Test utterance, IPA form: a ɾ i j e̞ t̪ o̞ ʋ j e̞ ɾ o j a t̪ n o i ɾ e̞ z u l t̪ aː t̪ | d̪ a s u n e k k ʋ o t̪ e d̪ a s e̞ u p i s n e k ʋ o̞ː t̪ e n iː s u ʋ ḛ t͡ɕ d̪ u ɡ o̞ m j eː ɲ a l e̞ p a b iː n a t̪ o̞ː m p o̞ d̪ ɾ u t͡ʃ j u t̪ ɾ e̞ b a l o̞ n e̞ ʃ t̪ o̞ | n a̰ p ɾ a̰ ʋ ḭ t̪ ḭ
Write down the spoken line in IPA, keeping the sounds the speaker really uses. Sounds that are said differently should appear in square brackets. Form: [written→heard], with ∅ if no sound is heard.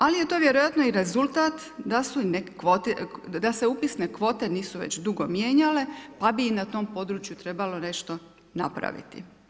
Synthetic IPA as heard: a [ɾ→l] i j e̞ t̪ o̞ ʋ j e̞ ɾ o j a t̪ n o i ɾ e̞ z u l t̪ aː t̪ | d̪ a s u n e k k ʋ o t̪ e d̪ a s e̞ u p i s n e k ʋ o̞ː t̪ e n iː s u ʋ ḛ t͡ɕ d̪ u ɡ o̞ m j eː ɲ a l e̞ p a b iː n a t̪ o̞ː m p o̞ d̪ ɾ u t͡ʃ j u t̪ ɾ e̞ b a l o̞ n e̞ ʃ t̪ o̞ | n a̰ p ɾ a̰ ʋ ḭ t̪ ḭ

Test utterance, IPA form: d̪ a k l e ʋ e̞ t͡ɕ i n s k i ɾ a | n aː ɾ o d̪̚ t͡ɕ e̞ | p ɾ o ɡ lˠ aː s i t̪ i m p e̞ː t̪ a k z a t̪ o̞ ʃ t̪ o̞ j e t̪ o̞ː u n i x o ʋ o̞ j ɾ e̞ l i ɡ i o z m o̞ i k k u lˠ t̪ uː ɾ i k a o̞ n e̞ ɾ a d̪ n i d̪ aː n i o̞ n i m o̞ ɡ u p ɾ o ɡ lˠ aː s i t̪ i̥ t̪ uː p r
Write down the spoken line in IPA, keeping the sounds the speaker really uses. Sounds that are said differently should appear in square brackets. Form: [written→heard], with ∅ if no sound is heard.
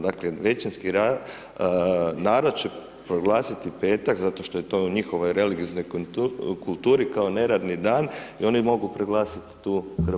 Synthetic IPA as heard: d̪ a k l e ʋ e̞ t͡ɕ i n s k i ɾ a | n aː ɾ o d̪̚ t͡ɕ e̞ | p ɾ o ɡ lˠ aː s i t̪ i [m→∅] p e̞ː t̪ a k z a t̪ o̞ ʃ t̪ o̞ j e t̪ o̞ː u [n→ɲ] i x o ʋ o̞ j ɾ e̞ l i ɡ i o z [m→n] o̞ [i→j] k k u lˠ t̪ uː ɾ i k a o̞ n e̞ ɾ a d̪ n i d̪ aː n i o̞ n i m o̞ ɡ u p ɾ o ɡ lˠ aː s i t̪ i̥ t̪ uː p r

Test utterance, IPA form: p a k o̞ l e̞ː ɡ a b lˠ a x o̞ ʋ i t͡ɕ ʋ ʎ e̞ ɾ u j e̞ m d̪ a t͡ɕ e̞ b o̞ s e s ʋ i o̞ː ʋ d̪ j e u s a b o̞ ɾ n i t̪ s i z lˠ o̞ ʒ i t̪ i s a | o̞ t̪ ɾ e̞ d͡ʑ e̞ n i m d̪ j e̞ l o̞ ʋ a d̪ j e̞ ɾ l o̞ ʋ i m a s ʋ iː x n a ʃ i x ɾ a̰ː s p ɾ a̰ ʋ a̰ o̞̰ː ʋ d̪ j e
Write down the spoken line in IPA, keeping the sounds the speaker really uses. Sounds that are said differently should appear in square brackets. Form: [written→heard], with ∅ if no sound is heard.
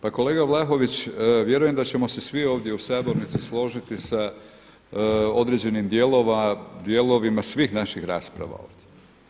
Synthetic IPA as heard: p a k o̞ l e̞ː ɡ a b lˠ a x o̞ ʋ i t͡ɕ ʋ [ʎ→j] e̞ ɾ u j e̞ m d̪ a t͡ɕ e̞ [b→m] o̞ s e s ʋ i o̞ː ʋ d̪ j e u s a b o̞ ɾ n i t̪ s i [z→s] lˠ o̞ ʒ i t̪ i s a | o̞ [t̪→d̪] ɾ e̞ d͡ʑ e̞ n i m d̪ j e̞ l o̞ ʋ a d̪ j e̞ [ɾ→∅] l o̞ ʋ i m a s ʋ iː x n a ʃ i x ɾ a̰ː s p ɾ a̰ ʋ a̰ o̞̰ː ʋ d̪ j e

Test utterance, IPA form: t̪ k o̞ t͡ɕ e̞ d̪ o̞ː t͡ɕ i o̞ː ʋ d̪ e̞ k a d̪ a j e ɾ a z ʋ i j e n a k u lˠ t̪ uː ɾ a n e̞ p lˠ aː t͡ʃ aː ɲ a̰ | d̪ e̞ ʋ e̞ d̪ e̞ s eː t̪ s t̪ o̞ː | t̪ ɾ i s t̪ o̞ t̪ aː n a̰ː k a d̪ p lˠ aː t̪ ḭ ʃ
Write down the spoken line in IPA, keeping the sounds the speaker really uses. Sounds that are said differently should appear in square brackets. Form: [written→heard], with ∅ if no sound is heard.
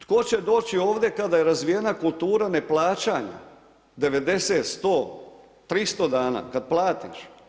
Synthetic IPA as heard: t̪ k o̞ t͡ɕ e̞ d̪ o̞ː t͡ɕ i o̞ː ʋ d̪ e̞ k a d̪ a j e ɾ a z ʋ i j e n a k u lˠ t̪ uː ɾ a n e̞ p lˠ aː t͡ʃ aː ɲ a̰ | d̪ e̞ ʋ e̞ d̪ e̞ s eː t̪ s t̪ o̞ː | t̪ ɾ i s t̪ o̞ [t̪→d̪] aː n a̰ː k a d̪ p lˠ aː t̪ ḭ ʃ

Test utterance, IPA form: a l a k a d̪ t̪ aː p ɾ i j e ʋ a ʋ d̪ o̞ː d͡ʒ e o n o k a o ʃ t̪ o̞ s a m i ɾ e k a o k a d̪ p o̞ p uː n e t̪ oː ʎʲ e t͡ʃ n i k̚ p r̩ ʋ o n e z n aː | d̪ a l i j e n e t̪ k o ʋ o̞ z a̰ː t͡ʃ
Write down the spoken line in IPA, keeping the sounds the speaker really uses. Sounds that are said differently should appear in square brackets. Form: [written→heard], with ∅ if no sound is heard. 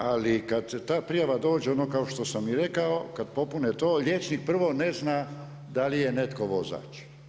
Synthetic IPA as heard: a l [a→i] k a d̪ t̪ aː p ɾ i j [e→a] ʋ a [ʋ→∅] d̪ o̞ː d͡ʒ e o n o k a o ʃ t̪ o̞ s a m i ɾ e k a o k a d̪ p o̞ p [uː→u] n e t̪ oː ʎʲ e t͡ʃ n i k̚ p r̩ ʋ o n e z n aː | d̪ a l i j e n e t̪ k o ʋ o̞ z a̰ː t͡ʃ

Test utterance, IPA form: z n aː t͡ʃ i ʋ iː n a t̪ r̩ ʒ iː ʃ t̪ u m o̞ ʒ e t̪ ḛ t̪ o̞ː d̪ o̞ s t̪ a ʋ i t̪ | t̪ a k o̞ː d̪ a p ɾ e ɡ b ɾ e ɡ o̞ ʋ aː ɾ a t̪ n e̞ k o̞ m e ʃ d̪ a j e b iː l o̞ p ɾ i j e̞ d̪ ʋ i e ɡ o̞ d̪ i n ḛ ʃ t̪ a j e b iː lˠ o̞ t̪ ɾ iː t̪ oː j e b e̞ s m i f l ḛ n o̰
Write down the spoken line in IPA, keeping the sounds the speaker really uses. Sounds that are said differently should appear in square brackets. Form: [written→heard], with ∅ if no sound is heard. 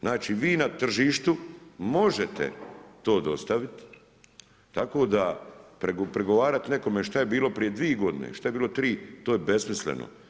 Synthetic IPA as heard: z n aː t͡ʃ i ʋ iː n a t̪ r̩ ʒ iː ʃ t̪ u m o̞ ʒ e t̪ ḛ t̪ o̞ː d̪ o̞ s t̪ a ʋ i t̪ | t̪ a k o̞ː d̪ a p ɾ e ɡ [b→p] ɾ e ɡ o̞ ʋ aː ɾ a t̪ n e̞ k o̞ m e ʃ [d̪→t̪] a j e b iː l o̞ p ɾ i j e̞ d̪ ʋ i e ɡ o̞ d̪ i n ḛ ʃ t̪ a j e b iː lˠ o̞ t̪ ɾ iː t̪ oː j e b e̞ s m i [f→s] l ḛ n o̰

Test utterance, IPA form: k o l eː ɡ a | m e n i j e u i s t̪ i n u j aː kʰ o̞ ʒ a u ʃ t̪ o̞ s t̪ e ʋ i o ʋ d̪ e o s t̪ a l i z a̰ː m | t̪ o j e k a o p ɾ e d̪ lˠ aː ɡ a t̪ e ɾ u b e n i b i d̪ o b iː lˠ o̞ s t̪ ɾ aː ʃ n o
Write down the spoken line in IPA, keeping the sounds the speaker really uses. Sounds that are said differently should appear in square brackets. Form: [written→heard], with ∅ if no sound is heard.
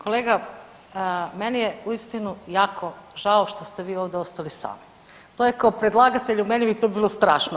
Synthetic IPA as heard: k o l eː ɡ a | m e n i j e u i s t̪ i n u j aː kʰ o̞ ʒ a [u→o] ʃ t̪ o̞ s t̪ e ʋ [i→iː] o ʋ d̪ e o s t̪ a l i [z→s] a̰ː m | t̪ o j e k a o p ɾ e d̪ lˠ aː ɡ a t̪ e [ɾ→ʎ] u [b→m] e n i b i [d̪→t̪] o b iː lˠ o̞ s t̪ ɾ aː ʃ n o

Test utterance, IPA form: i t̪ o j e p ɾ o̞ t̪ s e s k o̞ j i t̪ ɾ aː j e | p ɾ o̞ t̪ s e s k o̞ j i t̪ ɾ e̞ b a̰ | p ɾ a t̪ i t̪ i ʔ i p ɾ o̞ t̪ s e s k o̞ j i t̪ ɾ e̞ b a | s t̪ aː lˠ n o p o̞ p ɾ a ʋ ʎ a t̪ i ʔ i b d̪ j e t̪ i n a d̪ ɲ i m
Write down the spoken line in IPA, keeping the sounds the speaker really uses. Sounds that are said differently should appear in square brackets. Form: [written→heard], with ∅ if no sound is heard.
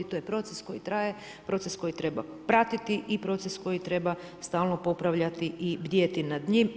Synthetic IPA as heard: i t̪ o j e p ɾ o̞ t̪ s e s k o̞ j i t̪ ɾ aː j e | p ɾ o̞ t̪ s e s k o̞ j i t̪ ɾ e̞ b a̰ | p ɾ a t̪ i t̪ i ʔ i p ɾ o̞ t̪ s e s k o̞ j i t̪ ɾ e̞ b a | s t̪ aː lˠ n o p o̞ p ɾ a ʋ ʎ a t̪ i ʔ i b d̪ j e t̪ i n a d̪ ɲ i m

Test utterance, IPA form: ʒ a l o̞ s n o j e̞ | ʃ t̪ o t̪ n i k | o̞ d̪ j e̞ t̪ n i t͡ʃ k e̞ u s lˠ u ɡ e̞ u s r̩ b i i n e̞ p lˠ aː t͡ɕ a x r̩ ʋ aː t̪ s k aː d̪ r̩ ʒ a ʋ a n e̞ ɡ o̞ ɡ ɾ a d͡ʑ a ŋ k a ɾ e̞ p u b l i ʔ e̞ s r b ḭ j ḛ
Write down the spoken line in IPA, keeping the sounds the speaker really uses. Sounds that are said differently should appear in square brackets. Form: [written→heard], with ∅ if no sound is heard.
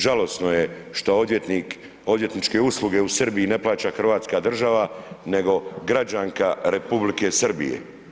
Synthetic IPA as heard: ʒ a l o̞ s n o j e̞ | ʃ t̪ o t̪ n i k | o̞ d̪ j e̞ t̪ n i t͡ʃ k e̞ u s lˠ u ɡ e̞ u s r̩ b i i n e̞ p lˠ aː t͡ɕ a x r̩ ʋ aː t̪ s k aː d̪ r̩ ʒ a ʋ a n e̞ ɡ o̞ ɡ ɾ a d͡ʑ a ŋ k a ɾ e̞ p u b l i [ʔ→k] e̞ s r b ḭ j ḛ

